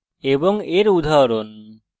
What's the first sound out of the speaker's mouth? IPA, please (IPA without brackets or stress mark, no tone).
e